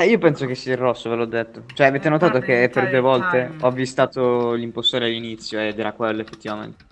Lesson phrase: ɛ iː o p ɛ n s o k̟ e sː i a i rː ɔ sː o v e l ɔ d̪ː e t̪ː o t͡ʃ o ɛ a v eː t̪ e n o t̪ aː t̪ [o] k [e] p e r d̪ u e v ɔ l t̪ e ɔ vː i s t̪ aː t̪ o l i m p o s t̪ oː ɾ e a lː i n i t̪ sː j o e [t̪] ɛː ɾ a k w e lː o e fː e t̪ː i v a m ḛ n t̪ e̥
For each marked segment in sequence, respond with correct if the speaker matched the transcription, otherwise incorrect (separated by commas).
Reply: correct, correct, incorrect